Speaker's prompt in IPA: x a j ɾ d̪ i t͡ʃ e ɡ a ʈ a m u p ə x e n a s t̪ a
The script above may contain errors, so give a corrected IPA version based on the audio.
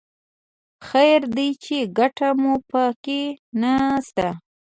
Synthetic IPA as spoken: x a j ɾ d̪ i t͡ʃ e ɡ a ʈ a m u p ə k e n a s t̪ a